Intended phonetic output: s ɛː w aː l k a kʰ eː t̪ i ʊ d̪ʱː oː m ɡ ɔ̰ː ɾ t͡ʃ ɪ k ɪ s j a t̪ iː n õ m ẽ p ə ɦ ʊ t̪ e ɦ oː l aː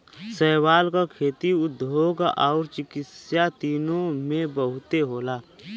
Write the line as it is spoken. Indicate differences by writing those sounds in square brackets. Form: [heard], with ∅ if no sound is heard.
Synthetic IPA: s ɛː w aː l k a kʰ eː t̪ i ʊ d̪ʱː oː [∅] ɡ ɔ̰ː ɾ t͡ʃ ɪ k ɪ s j a t̪ iː n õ m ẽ [b] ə ɦ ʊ t̪ e ɦ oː l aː